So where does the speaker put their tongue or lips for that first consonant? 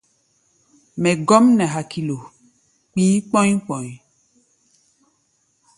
lips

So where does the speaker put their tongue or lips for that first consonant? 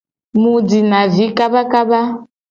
lips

